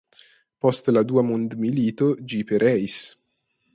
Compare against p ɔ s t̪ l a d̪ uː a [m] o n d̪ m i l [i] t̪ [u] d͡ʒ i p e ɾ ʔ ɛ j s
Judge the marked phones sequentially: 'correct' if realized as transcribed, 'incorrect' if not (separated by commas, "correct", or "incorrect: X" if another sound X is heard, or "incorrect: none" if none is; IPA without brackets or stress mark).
correct, incorrect: iː, incorrect: o